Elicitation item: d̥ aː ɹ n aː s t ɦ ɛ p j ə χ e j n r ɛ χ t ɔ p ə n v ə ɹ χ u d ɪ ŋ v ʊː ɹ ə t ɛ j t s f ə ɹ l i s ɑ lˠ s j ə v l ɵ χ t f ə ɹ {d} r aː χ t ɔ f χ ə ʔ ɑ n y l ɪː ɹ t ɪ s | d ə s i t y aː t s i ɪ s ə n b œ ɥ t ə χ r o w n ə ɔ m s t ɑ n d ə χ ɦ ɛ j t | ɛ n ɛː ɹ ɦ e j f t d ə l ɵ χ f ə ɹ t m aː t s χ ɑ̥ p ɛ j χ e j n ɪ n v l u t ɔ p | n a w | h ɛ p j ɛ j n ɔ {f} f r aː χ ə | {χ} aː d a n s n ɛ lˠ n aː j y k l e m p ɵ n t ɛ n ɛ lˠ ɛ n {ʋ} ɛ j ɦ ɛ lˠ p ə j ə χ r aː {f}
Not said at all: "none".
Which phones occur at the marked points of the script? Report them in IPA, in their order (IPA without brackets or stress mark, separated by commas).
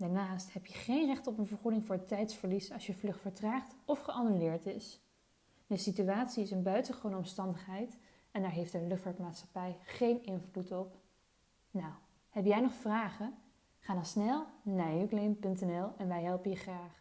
t, χ, χ, ʋ, χ